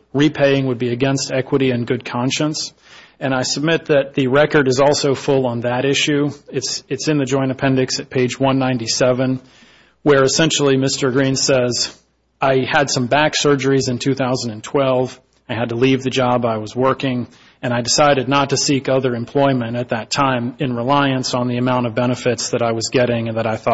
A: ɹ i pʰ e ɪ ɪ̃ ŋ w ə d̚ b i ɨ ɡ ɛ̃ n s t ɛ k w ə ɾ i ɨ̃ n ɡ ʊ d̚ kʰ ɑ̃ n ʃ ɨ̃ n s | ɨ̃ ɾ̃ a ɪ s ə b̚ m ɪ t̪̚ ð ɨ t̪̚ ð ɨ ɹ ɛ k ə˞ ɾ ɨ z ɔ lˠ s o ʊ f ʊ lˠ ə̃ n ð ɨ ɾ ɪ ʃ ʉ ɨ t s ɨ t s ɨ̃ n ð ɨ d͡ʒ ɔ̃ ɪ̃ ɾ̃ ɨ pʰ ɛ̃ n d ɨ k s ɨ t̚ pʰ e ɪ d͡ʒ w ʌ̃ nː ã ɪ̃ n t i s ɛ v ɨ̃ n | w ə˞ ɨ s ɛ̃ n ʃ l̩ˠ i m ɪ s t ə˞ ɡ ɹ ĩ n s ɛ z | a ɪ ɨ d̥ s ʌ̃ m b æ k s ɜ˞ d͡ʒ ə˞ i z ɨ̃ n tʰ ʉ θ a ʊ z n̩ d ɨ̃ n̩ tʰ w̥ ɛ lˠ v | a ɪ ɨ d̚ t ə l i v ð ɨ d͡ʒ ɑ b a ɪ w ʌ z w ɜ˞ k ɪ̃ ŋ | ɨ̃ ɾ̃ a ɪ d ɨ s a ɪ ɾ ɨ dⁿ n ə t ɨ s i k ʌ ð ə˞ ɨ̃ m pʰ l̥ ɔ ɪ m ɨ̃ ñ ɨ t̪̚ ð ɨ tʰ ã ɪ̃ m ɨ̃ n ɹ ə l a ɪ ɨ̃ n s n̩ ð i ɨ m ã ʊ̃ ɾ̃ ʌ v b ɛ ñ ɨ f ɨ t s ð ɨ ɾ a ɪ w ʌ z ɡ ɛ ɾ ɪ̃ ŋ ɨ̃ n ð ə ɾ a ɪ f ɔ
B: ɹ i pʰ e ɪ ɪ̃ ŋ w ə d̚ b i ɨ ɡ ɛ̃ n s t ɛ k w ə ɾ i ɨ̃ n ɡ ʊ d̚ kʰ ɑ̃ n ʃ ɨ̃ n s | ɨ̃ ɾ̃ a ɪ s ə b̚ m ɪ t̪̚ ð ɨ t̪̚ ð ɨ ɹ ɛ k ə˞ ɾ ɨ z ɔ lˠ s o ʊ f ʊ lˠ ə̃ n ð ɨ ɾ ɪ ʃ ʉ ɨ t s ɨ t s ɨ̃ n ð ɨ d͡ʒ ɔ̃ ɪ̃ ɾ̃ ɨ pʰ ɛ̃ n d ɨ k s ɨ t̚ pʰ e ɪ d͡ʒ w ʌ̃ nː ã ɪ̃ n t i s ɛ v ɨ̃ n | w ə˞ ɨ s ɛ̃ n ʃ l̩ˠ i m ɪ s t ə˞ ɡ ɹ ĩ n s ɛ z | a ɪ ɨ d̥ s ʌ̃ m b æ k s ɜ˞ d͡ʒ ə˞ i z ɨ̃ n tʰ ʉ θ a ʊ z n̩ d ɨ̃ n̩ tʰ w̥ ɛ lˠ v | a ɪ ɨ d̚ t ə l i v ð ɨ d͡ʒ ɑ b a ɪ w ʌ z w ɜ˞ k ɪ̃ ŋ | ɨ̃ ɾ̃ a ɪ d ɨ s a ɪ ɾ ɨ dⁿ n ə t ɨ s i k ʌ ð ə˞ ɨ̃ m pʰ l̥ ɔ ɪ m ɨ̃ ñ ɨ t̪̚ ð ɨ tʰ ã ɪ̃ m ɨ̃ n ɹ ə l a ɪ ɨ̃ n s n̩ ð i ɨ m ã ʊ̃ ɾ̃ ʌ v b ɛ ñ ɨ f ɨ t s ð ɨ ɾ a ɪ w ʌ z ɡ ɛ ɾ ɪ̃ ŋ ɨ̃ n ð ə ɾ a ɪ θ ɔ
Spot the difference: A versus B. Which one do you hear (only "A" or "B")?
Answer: B